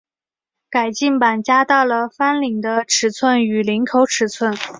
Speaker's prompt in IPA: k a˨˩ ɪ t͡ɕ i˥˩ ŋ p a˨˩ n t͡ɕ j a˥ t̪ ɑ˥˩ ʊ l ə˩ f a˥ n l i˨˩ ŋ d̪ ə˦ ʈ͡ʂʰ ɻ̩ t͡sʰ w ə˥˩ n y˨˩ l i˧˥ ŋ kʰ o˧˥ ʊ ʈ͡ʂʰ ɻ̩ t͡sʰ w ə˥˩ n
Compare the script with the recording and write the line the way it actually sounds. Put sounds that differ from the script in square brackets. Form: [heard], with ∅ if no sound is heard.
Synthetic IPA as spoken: k a˨˩ ɪ t͡ɕ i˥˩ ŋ p a˨˩ n t͡ɕ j a˥ t̪ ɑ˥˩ ʊ l ə˩ f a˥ n l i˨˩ ŋ d̪ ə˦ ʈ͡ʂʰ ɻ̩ t͡sʰ w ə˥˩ n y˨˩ l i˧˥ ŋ kʰ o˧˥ ʊ ʈ͡ʂʰ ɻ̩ t͡sʰ w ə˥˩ n